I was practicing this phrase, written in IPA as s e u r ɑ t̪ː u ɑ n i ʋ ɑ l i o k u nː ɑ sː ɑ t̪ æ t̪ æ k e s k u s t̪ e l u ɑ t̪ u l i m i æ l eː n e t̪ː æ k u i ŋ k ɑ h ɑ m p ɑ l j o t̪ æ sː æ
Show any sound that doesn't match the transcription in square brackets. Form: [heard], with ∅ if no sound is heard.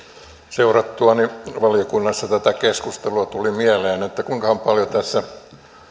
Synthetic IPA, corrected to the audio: s e u r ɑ t̪ː u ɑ n i ʋ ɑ l i o k u nː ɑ sː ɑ t̪ æ t̪ æ k e s k u s t̪ e l u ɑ t̪ u l i m i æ l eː n e t̪ː æ k u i ŋ k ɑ h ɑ m p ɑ l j o t̪ æ sː æ